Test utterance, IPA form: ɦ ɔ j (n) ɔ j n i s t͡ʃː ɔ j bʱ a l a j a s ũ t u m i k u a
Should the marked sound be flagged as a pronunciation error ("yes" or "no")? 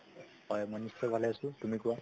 yes